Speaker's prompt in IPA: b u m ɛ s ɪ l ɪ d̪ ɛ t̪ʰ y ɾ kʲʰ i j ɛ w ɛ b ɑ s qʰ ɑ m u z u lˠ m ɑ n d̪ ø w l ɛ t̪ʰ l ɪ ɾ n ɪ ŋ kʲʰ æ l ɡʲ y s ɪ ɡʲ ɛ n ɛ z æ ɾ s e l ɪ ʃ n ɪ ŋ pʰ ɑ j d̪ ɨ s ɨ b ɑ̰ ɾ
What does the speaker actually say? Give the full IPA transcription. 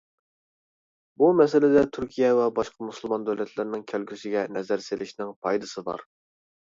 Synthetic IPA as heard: b u m ɛ s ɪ l ɪ d̪ ɛ t̪ʰ y ɾ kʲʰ i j ɛ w ɛ b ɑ ʃ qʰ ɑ m u s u lˠ m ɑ n d̪ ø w l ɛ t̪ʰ l ɪ ɾ n ɪ ŋ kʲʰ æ l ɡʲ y s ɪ ɡʲ ɛ n ɛ z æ ɾ s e l ɪ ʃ n ɪ ŋ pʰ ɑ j d̪ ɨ s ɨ b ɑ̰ ɾ

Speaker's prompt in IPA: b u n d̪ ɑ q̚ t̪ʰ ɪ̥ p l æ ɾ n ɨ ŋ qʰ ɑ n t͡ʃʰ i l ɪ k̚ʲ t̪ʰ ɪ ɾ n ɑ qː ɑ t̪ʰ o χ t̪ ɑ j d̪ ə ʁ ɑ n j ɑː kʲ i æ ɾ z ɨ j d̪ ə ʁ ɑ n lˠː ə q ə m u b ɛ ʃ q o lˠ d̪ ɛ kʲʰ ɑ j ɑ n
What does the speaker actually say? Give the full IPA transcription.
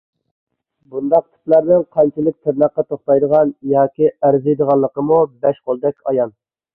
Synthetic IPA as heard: b u n d̪ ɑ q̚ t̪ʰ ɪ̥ p l æ ɾ n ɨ ŋ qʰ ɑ n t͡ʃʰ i l ɪ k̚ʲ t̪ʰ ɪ ɾ n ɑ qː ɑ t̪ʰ o χ t̪ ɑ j d̪ ə ʁ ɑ n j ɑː kʲ i æ ɾ z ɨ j d̪ ə ʁ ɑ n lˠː ə q ə m u b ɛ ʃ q o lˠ d̪ ɛ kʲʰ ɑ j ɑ n

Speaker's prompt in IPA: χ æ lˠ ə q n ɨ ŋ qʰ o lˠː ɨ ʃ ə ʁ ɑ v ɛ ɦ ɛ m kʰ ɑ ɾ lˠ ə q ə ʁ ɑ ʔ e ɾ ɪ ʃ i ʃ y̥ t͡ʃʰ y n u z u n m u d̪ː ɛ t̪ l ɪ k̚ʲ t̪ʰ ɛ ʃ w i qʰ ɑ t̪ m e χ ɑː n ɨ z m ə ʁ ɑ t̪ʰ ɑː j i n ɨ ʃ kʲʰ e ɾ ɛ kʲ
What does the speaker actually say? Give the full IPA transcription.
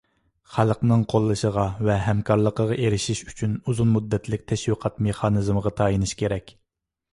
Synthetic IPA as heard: χ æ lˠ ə q n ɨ ŋ qʰ o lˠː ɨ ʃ ə ʁ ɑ v ɛ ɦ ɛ m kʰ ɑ ɾ lˠ ə q ə ʁ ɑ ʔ e ɾ ɪ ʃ i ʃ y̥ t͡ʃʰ y n u z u n m u d̪ː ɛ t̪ l ɪ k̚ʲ t̪ʰ ɛ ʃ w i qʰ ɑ t̪ m e χ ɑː n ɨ z m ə ʁ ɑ t̪ʰ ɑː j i n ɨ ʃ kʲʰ e ɾ ɛ kʲ

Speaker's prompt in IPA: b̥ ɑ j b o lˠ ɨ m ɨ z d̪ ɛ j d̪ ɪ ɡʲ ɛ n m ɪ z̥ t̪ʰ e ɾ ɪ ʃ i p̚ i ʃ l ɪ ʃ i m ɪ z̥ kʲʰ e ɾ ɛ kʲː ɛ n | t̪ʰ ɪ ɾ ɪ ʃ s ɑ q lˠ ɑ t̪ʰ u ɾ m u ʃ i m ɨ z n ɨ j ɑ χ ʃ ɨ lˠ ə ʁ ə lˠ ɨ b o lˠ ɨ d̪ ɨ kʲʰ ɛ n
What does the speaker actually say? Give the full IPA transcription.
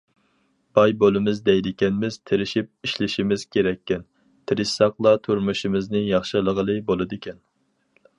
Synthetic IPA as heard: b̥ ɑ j b o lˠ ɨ m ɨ z d̪ ɛ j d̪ ɪ kʲ ɛ n m ɪ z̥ t̪ʰ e ɾ ɪ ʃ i p̚ i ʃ l ɪ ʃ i m ɪ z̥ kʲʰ e ɾ ɛ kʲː ɛ n | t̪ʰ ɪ ɾ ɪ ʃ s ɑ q lˠ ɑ t̪ʰ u ɾ m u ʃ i m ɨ z n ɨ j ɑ χ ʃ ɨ lˠ ə ʁ ə lˠ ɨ b o lˠ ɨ d̪ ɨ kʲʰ ɛ n

